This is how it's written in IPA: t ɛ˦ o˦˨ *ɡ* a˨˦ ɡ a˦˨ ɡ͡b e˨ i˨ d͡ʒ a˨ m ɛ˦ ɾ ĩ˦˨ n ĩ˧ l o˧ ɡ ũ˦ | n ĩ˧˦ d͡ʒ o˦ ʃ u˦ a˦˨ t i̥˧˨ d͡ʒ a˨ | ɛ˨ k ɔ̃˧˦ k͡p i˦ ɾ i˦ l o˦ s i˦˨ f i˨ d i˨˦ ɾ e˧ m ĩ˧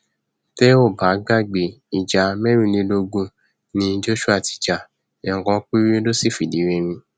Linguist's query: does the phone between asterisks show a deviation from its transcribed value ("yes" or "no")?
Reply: yes